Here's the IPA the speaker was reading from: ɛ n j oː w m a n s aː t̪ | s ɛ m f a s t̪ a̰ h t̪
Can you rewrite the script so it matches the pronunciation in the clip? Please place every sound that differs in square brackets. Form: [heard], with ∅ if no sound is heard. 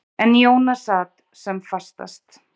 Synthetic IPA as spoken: ɛ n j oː w [n] a [∅] s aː t̪ | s ɛ m f a s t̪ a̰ [s] t̪